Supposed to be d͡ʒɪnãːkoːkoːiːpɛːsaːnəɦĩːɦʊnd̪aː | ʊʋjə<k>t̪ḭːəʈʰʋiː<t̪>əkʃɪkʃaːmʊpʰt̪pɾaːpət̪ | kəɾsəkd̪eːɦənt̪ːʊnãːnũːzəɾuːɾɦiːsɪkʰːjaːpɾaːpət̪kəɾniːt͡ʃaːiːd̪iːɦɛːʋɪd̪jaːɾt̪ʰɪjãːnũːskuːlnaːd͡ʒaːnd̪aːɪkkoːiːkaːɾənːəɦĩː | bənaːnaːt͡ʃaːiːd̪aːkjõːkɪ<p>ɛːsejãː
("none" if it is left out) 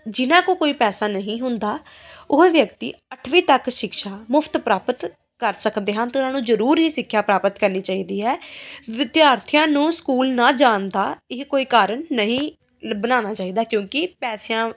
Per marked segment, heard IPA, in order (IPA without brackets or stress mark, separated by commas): k, t̪, p